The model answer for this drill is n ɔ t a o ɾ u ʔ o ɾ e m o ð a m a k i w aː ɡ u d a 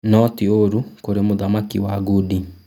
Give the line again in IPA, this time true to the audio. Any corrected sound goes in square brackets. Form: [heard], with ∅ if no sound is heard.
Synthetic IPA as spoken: n ɔ t [i] o ɾ u [k] o ɾ e m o ð a m a k i w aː ɡ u d [i]